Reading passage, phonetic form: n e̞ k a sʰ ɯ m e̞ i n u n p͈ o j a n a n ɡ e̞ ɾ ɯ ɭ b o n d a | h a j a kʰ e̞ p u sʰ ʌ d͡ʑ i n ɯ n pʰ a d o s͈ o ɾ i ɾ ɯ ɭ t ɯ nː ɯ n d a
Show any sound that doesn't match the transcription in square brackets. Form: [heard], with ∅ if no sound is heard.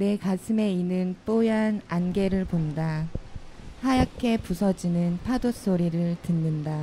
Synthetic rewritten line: n e̞ k a sʰ ɯ m e̞ i n [ɯ] n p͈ o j a n a n ɡ e̞ ɾ ɯ ɭ [p] o n d a | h a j a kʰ e̞ p u sʰ ʌ d͡ʑ i n ɯ n pʰ a d o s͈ o ɾ i ɾ ɯ ɭ t ɯ nː ɯ n d a